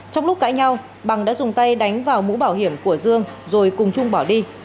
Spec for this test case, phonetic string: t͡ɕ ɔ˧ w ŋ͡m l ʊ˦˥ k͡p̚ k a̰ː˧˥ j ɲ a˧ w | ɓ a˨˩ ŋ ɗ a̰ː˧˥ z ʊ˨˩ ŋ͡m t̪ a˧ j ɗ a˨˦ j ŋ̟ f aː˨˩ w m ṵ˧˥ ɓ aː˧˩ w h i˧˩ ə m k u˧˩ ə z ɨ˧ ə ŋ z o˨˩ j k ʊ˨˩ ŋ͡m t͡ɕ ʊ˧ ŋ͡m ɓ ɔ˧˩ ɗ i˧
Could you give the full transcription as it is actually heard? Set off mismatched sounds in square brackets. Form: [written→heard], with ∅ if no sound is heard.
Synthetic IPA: t͡ɕ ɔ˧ w ŋ͡m l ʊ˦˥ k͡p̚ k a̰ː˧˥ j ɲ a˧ w | ɓ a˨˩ ŋ ɗ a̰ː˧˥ z ʊ˨˩ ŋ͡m t̪ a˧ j ɗ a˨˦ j ŋ̟ [f→v] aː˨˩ w m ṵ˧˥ ɓ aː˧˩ w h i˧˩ ə m k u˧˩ ə z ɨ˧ ə ŋ z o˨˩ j k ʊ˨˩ ŋ͡m t͡ɕ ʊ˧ ŋ͡m ɓ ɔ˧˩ ɗ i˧